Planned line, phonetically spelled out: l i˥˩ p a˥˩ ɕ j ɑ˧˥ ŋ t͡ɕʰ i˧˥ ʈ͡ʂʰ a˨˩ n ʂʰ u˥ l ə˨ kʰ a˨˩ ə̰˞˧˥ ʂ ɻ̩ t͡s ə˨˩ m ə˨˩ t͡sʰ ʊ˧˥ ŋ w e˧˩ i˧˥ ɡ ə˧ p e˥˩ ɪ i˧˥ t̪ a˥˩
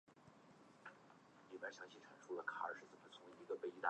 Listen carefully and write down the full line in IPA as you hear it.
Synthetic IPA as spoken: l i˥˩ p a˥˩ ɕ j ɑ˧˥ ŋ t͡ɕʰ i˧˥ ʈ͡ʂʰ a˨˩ n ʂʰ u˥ l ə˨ kʰ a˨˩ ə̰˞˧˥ ʂ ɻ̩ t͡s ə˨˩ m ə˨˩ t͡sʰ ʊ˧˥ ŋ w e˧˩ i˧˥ ɡ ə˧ p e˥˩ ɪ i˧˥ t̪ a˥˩